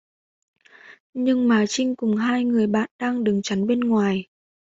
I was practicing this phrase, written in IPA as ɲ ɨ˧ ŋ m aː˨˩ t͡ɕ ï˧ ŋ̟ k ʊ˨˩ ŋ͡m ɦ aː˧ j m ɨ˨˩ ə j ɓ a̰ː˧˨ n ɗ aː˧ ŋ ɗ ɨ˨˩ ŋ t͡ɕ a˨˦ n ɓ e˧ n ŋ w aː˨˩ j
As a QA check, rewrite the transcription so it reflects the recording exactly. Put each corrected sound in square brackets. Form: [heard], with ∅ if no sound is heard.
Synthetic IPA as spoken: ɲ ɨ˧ ŋ m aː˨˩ t͡ɕ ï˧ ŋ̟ k ʊ˨˩ ŋ͡m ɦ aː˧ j [ŋ] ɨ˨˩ ə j ɓ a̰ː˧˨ n ɗ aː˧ ŋ ɗ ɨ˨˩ ŋ t͡ɕ a˨˦ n ɓ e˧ n ŋ w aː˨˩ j